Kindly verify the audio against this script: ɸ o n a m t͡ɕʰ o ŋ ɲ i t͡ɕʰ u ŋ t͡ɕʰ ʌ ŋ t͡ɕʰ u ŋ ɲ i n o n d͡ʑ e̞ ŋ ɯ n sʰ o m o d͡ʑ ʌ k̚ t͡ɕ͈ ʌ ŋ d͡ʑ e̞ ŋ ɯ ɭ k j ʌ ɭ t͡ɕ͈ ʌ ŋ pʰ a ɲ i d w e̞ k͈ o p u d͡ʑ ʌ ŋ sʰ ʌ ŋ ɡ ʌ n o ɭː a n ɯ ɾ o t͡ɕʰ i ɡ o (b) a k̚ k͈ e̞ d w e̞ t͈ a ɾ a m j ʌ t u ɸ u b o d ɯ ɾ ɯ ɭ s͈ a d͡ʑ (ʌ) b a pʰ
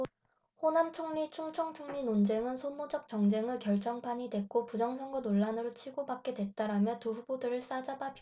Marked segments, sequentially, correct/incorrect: correct, incorrect

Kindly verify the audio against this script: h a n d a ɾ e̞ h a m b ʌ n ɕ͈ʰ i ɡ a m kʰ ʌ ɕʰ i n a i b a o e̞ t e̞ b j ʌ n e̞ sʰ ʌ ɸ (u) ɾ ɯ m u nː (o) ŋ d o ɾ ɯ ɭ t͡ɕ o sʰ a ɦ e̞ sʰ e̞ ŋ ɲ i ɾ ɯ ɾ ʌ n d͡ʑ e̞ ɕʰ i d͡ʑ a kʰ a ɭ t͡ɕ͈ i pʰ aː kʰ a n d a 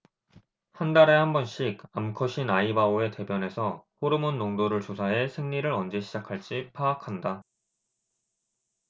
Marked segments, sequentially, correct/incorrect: incorrect, correct

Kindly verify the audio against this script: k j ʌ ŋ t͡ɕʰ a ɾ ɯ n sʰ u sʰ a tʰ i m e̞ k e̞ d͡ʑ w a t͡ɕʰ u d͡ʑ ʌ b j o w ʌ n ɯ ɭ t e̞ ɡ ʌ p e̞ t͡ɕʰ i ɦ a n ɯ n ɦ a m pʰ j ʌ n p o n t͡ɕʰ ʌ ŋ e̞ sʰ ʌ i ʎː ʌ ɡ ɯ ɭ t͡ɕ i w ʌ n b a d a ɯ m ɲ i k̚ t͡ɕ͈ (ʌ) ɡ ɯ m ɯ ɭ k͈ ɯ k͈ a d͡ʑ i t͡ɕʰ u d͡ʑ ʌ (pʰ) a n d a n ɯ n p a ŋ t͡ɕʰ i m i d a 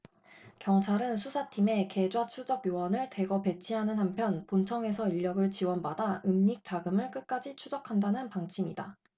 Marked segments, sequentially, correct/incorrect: incorrect, incorrect

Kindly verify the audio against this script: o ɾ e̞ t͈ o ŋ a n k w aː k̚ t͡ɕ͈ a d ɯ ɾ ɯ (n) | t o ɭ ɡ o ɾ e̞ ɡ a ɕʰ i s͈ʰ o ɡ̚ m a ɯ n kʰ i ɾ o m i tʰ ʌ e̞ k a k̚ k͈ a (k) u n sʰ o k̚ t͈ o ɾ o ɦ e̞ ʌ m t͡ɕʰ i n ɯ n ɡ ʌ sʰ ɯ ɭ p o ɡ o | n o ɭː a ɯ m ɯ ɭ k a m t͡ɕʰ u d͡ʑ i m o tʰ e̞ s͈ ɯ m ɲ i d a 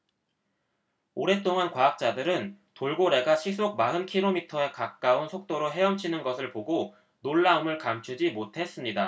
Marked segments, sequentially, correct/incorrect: correct, incorrect

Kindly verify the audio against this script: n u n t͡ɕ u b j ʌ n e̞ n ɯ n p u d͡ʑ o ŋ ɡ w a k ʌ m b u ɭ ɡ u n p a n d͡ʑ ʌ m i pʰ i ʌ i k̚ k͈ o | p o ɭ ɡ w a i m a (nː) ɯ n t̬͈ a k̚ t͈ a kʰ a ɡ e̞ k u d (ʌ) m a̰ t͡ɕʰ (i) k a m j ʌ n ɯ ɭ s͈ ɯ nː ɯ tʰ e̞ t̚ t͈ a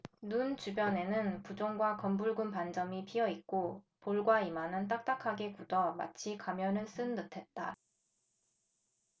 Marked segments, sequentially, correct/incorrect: incorrect, correct, correct

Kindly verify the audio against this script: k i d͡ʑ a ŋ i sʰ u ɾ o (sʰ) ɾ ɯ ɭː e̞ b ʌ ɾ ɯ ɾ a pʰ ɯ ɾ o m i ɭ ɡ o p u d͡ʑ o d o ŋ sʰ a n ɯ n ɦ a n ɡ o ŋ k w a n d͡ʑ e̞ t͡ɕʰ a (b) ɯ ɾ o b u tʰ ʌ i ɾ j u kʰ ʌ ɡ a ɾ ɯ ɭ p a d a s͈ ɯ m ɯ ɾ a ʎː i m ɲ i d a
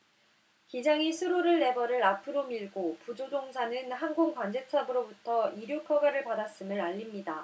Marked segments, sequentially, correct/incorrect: incorrect, correct

